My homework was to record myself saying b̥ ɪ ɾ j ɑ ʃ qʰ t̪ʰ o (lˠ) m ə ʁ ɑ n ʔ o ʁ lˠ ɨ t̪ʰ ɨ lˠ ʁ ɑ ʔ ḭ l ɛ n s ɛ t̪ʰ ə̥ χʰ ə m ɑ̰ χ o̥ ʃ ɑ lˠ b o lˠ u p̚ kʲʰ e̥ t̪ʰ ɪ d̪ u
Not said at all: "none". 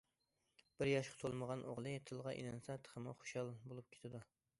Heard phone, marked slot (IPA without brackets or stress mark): lˠ